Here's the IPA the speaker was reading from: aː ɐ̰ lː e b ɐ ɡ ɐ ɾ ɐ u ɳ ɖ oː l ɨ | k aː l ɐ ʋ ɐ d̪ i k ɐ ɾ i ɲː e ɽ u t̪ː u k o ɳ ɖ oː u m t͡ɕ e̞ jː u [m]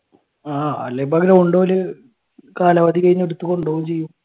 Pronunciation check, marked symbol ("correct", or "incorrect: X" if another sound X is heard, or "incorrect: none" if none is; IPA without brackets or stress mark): correct